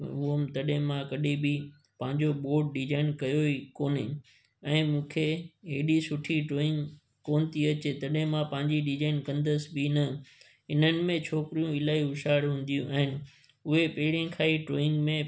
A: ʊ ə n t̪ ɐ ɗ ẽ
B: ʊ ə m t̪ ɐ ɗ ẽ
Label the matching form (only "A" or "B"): B